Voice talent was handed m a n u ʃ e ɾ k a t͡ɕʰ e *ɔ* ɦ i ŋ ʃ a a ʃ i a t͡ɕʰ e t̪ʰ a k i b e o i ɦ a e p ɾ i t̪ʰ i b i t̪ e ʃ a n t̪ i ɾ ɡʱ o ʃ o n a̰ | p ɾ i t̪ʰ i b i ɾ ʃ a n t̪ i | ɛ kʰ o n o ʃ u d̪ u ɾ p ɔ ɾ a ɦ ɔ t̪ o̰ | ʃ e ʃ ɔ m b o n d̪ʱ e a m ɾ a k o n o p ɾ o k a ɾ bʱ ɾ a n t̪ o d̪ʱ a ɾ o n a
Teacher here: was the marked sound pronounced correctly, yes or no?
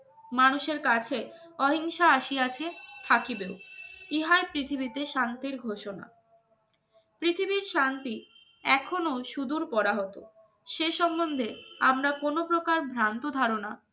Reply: yes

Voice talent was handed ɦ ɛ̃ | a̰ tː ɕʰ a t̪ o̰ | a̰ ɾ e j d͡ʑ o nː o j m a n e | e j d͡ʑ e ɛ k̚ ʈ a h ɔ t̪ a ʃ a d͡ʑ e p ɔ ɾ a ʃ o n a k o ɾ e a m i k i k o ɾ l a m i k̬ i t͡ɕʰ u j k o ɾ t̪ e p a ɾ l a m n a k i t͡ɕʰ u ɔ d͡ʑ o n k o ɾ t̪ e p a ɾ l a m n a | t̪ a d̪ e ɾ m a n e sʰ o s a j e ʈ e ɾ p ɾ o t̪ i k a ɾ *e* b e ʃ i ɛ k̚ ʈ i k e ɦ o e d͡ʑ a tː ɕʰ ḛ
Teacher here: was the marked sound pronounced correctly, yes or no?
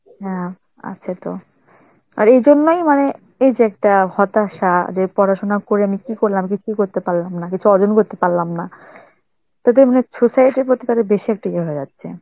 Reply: yes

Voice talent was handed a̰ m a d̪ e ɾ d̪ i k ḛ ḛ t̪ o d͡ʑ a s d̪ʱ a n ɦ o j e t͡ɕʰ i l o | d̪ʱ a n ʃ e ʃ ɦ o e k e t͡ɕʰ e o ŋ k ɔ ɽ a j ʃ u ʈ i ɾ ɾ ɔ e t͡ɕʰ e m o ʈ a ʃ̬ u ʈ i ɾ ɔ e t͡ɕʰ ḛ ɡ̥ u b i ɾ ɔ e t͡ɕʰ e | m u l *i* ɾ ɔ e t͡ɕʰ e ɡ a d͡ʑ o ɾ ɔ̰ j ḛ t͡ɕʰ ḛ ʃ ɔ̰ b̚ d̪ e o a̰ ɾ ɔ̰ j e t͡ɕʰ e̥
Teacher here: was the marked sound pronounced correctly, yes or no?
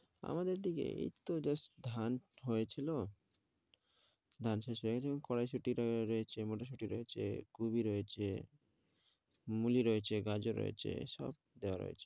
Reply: yes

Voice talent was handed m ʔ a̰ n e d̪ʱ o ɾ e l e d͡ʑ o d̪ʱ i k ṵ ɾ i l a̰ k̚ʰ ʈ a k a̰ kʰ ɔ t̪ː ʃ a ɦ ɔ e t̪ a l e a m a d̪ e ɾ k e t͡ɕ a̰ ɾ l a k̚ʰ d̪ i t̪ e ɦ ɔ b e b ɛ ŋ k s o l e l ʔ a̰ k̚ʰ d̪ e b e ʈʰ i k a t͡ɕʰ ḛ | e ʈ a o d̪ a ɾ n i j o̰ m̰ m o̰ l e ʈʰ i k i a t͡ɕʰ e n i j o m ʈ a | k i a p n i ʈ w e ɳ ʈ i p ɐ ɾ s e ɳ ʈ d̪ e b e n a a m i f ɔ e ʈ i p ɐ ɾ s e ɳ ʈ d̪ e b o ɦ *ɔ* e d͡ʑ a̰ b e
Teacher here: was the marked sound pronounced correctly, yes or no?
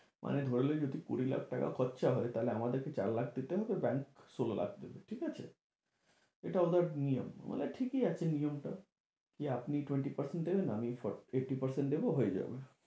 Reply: no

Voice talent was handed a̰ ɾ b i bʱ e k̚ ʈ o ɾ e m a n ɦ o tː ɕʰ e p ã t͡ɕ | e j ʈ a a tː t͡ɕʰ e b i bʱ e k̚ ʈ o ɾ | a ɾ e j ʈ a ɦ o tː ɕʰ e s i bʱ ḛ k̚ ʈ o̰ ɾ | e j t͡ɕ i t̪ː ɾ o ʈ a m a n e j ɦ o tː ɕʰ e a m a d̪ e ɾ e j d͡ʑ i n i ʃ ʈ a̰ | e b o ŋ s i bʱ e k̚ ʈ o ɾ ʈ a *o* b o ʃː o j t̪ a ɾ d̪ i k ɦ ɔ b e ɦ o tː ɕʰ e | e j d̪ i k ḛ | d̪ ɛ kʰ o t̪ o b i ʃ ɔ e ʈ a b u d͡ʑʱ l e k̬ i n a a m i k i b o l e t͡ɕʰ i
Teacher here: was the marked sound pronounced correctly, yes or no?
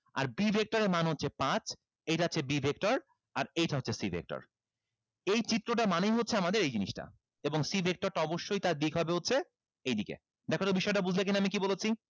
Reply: no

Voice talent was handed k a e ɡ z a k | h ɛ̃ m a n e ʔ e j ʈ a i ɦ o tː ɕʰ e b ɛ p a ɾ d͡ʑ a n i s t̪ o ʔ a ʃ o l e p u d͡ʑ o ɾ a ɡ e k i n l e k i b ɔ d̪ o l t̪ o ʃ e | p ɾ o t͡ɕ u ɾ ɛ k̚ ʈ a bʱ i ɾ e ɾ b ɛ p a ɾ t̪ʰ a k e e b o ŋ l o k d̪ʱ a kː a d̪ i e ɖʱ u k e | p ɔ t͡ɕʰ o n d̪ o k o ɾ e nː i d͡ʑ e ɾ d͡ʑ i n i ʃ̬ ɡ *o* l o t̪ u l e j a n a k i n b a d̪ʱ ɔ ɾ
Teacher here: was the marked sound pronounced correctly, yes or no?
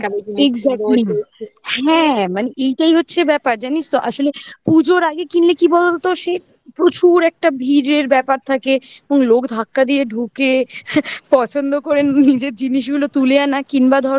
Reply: no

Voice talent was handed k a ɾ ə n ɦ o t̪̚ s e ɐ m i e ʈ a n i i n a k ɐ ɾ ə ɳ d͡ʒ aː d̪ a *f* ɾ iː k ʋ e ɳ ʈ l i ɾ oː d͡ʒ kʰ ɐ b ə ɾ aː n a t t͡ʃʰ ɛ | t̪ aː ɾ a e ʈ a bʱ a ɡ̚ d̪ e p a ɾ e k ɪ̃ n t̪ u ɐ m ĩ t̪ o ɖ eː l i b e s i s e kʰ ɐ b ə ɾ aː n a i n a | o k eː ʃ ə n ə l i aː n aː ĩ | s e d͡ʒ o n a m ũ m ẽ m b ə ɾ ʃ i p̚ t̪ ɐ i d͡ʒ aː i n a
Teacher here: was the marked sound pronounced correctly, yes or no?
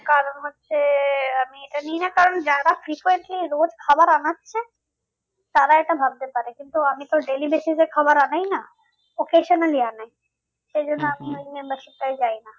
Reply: yes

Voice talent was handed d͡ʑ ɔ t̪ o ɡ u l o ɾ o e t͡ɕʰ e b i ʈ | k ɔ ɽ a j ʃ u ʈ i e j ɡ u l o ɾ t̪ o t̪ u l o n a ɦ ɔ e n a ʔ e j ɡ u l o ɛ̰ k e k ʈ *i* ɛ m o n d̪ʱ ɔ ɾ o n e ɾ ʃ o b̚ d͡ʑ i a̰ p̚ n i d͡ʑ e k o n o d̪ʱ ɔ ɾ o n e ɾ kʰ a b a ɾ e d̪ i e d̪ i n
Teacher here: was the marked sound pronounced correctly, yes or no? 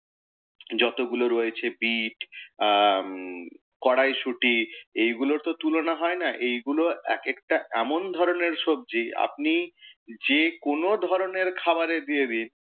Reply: no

